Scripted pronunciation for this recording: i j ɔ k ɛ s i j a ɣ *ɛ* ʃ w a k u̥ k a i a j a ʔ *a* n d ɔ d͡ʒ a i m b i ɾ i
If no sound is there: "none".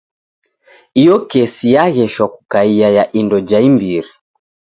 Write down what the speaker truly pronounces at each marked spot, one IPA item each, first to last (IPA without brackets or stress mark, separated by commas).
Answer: ɛ, i